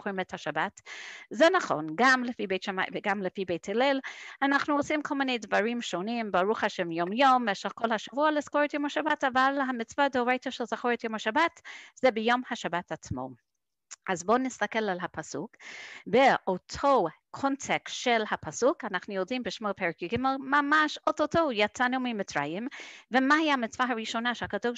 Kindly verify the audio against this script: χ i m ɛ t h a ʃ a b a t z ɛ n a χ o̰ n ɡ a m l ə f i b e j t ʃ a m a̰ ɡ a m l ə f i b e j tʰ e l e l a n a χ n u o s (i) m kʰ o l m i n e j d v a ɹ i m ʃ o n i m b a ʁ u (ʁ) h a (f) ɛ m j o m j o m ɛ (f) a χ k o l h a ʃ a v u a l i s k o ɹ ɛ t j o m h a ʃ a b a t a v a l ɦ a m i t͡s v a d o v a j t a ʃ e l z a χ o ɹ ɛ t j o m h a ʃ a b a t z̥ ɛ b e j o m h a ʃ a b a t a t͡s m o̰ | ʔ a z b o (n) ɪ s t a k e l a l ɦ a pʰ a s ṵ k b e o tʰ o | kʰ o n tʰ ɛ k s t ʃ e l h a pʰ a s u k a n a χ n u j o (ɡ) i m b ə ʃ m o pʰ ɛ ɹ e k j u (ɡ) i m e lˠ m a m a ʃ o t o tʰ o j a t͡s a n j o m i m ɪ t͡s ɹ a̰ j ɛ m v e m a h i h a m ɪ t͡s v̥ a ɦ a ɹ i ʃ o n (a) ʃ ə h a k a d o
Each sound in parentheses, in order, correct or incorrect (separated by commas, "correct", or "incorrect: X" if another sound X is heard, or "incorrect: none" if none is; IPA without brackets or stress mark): correct, incorrect: χ, incorrect: ʃ, incorrect: ʃ, correct, incorrect: d, correct, correct